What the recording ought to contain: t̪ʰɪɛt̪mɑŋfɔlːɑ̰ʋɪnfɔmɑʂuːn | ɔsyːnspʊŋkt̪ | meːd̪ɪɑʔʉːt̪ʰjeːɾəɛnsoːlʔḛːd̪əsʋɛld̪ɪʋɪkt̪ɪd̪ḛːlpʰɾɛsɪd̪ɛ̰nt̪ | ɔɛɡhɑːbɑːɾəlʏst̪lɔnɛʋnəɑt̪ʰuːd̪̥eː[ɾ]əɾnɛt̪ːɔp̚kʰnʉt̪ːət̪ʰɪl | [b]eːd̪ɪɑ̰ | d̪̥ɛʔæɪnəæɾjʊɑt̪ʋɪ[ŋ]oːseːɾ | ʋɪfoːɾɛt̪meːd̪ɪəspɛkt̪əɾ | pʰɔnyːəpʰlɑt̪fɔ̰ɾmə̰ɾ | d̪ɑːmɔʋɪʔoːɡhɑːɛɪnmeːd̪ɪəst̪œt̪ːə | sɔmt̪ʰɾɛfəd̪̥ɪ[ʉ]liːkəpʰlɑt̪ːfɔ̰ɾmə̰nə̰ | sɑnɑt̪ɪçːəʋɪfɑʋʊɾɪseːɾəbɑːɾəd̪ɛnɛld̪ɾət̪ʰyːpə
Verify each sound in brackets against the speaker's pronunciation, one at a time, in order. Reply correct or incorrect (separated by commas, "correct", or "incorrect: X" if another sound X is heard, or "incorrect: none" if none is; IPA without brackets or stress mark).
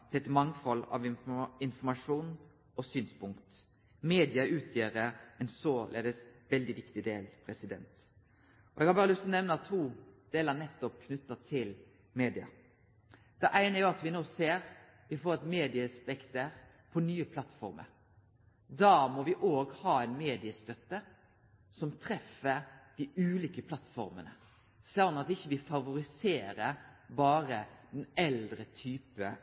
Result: incorrect: l, incorrect: m, incorrect: n, incorrect: ʉː